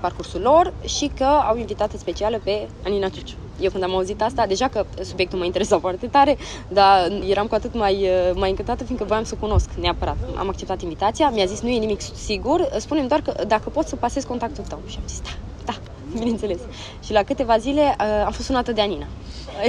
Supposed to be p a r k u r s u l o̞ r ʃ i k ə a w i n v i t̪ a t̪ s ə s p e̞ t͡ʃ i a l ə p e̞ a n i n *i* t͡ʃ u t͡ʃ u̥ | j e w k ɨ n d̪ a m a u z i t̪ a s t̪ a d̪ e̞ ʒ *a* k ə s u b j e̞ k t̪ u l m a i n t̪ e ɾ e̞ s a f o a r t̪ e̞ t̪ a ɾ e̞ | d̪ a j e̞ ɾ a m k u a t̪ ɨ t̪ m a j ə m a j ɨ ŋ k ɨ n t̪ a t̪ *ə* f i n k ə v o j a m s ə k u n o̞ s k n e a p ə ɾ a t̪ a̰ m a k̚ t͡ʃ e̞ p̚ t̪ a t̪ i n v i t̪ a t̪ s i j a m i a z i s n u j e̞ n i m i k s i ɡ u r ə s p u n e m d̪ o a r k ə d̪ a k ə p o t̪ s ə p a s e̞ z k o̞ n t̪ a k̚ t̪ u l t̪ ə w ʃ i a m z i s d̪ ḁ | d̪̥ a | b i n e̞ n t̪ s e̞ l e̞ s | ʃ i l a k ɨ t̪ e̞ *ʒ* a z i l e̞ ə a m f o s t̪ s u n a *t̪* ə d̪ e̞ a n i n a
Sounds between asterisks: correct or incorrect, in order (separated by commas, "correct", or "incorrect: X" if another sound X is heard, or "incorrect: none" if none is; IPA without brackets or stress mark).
incorrect: a, correct, correct, incorrect: v, correct